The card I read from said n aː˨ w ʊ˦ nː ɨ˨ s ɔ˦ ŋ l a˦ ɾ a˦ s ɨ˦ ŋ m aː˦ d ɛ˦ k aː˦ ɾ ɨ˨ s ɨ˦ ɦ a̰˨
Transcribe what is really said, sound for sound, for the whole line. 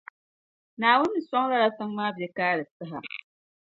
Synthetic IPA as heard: n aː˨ w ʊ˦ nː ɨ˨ s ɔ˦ ŋ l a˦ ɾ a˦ s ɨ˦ ŋ m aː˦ b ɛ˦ k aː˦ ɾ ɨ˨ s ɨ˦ ɦ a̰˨